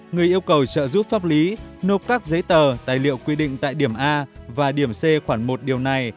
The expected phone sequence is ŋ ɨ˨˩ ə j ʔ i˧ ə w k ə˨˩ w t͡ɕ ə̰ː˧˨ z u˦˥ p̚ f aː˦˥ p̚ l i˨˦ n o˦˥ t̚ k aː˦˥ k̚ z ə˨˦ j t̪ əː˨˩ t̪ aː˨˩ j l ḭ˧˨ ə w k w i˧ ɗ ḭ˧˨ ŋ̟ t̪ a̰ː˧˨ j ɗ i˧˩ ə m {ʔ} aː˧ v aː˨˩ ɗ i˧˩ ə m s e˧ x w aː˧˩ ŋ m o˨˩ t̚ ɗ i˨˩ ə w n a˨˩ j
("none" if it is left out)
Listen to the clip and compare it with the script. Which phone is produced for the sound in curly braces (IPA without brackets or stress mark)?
ʔ